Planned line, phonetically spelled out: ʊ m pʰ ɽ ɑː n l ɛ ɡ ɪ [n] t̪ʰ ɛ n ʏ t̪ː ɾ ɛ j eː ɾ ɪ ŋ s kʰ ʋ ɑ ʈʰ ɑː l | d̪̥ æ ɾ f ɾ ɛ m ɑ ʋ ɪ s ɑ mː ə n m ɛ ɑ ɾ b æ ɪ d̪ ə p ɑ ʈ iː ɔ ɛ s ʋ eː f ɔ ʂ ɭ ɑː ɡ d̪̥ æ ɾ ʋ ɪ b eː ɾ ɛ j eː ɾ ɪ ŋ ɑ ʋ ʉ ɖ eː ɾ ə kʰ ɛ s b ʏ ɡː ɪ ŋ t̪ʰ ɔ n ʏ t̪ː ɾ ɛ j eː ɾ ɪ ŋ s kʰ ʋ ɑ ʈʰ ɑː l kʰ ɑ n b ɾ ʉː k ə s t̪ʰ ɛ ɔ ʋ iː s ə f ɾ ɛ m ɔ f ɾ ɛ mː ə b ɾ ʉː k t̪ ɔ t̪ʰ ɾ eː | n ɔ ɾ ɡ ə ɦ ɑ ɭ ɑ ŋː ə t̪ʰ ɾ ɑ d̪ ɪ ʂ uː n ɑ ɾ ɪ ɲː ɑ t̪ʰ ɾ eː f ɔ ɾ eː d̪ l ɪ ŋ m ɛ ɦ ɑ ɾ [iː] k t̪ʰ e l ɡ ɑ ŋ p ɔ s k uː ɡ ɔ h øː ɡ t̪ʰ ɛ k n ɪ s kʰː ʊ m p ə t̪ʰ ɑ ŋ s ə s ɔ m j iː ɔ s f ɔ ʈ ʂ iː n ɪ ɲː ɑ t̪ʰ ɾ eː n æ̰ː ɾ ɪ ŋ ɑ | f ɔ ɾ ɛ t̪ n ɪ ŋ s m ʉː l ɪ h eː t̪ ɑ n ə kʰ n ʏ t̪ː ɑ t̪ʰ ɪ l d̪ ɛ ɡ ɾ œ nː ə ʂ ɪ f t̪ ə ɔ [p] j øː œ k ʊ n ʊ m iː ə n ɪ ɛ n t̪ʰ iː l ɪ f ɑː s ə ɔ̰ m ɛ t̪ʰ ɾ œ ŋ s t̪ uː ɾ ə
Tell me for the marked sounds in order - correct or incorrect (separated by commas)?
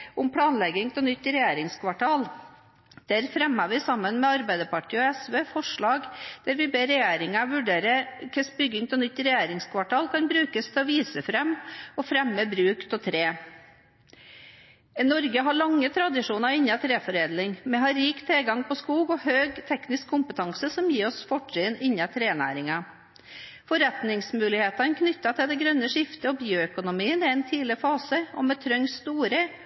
incorrect, correct, incorrect